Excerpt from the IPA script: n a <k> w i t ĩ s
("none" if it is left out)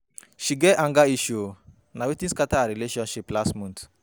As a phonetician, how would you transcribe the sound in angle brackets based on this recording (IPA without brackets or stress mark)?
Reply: none